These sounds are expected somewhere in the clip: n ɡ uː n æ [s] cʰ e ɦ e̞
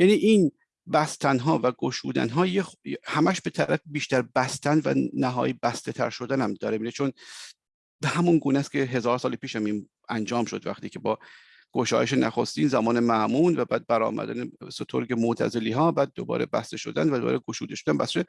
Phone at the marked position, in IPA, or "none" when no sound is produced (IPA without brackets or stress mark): s